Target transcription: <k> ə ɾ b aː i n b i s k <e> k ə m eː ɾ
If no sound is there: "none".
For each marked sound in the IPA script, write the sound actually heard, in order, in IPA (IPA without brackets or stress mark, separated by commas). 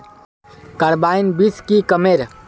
k, i